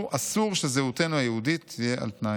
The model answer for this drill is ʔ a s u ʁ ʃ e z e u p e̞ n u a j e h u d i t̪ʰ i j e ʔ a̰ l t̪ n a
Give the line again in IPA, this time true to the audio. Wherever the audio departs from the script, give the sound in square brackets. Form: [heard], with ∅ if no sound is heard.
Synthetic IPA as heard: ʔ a s u ʁ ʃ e z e u [t] e̞ n u a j e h u d i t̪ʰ i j e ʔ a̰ l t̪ n a